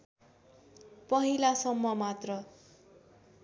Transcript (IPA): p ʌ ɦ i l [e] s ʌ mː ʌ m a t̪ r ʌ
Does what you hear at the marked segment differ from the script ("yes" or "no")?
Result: yes